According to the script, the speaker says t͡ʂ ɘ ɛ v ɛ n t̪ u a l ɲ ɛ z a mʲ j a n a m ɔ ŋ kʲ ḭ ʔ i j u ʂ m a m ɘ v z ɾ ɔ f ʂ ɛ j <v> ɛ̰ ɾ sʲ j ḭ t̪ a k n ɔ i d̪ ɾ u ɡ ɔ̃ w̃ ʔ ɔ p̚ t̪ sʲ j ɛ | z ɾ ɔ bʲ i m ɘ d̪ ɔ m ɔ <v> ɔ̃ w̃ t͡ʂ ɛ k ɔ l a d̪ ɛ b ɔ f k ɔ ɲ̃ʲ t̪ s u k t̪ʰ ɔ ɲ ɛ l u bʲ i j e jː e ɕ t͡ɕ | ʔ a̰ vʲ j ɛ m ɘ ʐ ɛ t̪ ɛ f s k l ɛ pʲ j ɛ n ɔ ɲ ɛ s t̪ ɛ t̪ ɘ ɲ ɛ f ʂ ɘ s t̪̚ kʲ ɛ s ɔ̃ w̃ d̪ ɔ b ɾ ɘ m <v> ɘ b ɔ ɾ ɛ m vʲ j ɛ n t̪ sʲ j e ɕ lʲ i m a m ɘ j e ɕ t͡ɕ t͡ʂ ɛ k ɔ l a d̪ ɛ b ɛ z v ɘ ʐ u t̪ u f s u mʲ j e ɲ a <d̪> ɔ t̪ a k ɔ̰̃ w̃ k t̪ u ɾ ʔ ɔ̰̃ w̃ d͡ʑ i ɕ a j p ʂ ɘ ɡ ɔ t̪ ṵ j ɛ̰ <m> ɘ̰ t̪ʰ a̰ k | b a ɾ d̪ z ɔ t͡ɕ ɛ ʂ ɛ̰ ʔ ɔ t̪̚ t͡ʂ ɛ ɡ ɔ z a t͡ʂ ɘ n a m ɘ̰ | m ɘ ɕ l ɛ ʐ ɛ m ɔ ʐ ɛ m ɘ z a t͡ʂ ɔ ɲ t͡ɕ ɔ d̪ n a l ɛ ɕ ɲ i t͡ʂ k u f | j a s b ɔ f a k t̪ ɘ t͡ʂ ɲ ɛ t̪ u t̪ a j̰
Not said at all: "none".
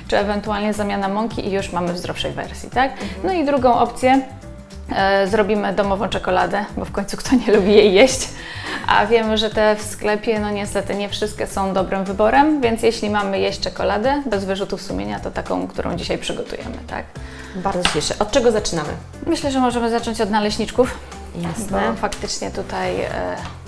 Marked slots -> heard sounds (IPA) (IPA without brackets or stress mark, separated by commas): v, v, v, t̪, m